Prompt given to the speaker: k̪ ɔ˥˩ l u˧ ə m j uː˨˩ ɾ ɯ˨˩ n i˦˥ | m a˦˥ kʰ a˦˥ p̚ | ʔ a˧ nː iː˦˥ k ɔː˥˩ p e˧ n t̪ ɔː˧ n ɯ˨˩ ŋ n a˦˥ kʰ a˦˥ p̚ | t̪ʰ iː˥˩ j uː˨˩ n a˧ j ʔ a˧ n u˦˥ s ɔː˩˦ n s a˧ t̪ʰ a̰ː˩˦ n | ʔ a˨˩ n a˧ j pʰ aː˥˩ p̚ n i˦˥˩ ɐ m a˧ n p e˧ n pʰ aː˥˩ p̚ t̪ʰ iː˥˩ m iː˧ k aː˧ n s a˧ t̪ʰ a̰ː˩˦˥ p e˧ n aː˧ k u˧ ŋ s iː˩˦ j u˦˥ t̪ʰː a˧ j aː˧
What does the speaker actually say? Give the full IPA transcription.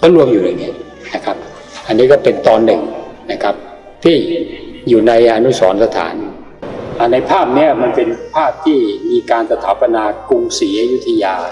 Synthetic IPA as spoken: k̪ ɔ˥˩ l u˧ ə m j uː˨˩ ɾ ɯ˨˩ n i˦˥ | n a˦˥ kʰ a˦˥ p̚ | ʔ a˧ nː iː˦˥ k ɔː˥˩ p e˧ n t̪ ɔː˧ nː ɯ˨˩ ŋ n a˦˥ kʰ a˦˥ p̚ | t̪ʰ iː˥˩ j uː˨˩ n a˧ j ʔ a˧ n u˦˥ s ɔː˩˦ n s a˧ t̪ʰ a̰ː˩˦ n | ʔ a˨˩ n a˧ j pʰ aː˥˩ p̚ n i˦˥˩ ɐ m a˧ n p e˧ n pʰ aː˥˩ p̚ t̪ʰ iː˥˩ m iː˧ k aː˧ n s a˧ t̪ʰ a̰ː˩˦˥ p a˧ n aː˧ k u˧ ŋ s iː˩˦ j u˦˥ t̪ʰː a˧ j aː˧

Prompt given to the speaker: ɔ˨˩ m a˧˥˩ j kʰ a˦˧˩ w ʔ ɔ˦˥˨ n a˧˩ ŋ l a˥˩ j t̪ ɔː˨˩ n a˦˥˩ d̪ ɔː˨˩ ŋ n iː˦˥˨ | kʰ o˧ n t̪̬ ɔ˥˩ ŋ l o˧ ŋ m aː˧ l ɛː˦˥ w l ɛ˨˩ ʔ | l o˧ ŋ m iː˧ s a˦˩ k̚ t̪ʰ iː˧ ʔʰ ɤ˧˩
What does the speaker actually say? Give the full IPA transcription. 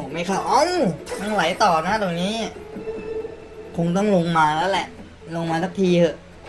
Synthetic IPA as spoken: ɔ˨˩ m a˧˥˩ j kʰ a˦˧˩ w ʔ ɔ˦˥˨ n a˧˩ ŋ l a˨˩˦ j t̪ ɔː˨˩ n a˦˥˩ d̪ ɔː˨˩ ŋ n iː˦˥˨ | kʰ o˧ ŋ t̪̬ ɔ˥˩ ŋ l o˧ ŋ m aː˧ l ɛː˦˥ w l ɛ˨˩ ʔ | l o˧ ŋ m aː˧ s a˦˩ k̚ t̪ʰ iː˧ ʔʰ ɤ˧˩

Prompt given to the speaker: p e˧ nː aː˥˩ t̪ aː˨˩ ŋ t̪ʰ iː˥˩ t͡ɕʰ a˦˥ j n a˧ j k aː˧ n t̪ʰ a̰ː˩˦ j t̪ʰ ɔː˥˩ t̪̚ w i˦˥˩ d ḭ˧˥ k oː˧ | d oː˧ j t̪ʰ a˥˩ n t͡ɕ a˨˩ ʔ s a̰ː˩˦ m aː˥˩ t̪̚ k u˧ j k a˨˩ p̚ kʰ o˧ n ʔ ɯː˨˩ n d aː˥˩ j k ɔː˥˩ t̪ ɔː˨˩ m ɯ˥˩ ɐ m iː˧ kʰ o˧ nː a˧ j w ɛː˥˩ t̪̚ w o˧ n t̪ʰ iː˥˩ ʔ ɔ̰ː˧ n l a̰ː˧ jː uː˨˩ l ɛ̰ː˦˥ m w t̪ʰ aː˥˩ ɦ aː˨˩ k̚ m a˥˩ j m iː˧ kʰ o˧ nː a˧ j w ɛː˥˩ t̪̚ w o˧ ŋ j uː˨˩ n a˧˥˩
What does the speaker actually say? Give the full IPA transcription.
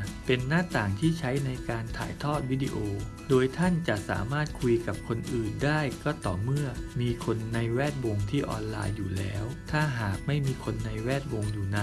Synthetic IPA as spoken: p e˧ nː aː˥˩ t̪ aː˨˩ ŋ t̪ʰ iː˥˩ t͡ɕʰ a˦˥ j n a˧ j k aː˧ n t̪ʰ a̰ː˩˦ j t̪ʰ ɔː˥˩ t̪̚ w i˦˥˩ d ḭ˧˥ ʔ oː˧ | d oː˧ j t̪ʰ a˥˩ n t͡ɕ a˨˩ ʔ s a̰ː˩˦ m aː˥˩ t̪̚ kʰ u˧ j k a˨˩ p̚ kʰ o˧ n ʔ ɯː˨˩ n d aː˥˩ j k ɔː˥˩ t̪ ɔː˨˩ m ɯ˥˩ ɐ m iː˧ kʰ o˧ nː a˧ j w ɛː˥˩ t̪̚ w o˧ ŋ t̪ʰ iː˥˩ ʔ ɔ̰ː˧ n l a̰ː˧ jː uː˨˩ l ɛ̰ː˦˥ w t̪ʰ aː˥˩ ɦ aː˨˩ k̚ m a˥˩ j m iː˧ kʰ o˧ nː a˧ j w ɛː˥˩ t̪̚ w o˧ ŋ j uː˨˩ n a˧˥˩

